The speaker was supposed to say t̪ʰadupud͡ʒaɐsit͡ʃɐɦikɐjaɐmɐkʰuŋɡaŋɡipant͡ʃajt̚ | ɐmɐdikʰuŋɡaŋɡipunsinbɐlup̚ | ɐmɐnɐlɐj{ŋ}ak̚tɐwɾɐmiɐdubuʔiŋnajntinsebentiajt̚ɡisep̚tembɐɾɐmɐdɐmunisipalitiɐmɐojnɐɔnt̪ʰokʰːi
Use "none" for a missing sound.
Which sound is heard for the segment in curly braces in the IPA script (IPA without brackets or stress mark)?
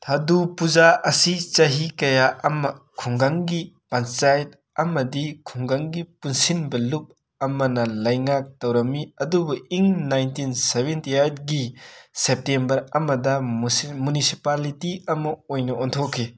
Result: ŋ